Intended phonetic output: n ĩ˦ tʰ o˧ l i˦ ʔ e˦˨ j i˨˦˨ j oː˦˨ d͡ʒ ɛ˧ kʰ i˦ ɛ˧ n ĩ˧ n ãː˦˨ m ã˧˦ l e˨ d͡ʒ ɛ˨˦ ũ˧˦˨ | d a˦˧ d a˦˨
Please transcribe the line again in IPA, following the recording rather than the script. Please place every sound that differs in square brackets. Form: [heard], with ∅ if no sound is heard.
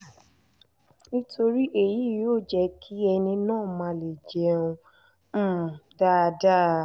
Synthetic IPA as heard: n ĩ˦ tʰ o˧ [ɾ] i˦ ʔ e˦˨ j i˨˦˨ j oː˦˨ d͡ʒ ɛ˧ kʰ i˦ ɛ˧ n ĩ˧ n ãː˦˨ m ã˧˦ l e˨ d͡ʒ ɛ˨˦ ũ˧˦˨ | d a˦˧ d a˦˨